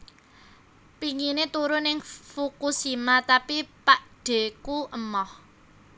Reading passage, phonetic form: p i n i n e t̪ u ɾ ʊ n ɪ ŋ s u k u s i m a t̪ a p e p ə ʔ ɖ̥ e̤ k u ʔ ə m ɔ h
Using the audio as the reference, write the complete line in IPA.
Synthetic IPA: p i ŋ i n e t̪ u ɾ ʊ n ɪ ŋ f u k u s i m a t̪ a p i p a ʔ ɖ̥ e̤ k u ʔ ə m ɔ h